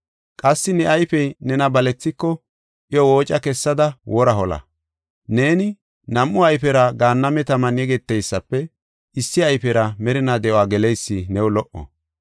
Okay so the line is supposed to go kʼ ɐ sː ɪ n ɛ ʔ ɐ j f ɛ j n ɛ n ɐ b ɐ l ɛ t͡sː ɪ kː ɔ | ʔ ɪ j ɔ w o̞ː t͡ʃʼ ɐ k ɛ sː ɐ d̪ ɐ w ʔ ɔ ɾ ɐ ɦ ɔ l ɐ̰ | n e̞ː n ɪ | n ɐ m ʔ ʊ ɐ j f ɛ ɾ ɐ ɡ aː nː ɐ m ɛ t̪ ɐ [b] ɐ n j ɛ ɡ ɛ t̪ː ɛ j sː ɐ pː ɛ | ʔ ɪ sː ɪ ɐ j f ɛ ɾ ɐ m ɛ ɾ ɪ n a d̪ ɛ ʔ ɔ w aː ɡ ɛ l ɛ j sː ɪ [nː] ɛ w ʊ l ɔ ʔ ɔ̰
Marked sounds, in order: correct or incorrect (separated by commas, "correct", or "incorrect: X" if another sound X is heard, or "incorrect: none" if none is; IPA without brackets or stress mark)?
incorrect: m, incorrect: n